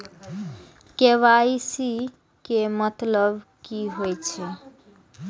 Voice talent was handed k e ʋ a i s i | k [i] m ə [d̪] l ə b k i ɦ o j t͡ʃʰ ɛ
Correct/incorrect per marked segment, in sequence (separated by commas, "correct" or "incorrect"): incorrect, incorrect